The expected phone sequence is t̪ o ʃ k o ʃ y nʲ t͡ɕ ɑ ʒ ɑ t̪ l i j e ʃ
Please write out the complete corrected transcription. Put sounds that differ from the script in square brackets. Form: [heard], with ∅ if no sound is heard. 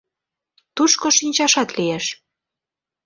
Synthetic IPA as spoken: t̪ [u] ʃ k o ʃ [i] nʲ t͡ɕ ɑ [ʃ] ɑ t̪ l i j e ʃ